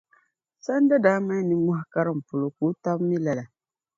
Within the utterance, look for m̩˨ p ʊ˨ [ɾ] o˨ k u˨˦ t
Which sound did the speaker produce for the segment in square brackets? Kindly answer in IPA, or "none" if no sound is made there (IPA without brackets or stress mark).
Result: l